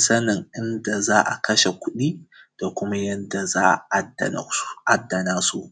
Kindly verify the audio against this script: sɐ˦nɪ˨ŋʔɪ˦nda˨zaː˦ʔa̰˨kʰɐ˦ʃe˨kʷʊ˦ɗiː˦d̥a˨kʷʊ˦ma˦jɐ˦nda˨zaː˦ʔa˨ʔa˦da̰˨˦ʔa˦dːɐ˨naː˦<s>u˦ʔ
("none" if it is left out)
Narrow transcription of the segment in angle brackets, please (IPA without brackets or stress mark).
s